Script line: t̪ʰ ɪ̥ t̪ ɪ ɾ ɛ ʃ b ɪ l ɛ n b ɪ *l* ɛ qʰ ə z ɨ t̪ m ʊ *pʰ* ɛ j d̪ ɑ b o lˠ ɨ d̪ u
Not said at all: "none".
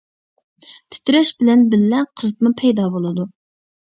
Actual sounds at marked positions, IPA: lː, pʰ

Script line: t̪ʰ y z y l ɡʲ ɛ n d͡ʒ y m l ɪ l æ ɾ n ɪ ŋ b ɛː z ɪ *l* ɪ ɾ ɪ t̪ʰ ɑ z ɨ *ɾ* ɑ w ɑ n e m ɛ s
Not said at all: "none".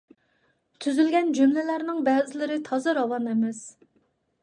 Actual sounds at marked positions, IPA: l, ɾ

